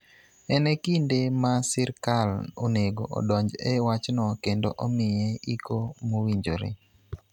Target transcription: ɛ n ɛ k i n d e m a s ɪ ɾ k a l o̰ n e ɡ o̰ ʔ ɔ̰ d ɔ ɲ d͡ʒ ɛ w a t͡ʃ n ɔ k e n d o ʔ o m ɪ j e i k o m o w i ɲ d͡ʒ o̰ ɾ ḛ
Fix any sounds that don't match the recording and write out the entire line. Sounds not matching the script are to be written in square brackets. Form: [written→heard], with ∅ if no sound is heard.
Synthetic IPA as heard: ɛ n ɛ k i n d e m a s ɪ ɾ k a l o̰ n e ɡ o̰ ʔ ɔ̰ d ɔ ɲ d͡ʒ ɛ w a t͡ʃ n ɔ k e n d o ʔ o m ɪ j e i k o m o w i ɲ d͡ʒ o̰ ɾ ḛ